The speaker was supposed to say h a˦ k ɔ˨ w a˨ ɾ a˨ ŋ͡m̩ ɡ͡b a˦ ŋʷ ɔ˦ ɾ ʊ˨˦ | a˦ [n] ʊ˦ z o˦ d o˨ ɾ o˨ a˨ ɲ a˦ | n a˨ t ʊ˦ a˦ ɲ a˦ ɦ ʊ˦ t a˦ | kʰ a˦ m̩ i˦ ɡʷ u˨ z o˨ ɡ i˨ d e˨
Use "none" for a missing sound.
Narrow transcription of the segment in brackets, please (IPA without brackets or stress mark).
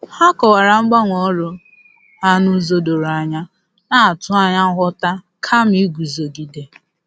n